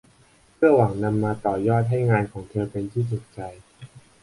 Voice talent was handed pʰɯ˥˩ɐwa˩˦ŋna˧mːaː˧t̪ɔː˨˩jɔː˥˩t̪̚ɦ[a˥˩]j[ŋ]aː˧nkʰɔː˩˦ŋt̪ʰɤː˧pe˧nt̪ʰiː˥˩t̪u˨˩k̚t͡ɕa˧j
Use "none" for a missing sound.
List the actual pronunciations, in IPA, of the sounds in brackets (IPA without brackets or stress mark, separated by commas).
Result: a˥˩, ŋ